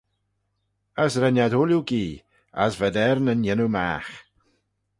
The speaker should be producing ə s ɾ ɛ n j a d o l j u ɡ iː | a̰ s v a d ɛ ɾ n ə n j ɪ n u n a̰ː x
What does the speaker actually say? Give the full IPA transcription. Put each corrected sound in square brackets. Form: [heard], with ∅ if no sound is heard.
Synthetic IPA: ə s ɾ ɛ n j a d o l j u ɡ iː | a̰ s v [ɛ] d ɛ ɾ n ə n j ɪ n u [m] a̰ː x